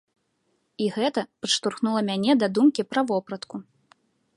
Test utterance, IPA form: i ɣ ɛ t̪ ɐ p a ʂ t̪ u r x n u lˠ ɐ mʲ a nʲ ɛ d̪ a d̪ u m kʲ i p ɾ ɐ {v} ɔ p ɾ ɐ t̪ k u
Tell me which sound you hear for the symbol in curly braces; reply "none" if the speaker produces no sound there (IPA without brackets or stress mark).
v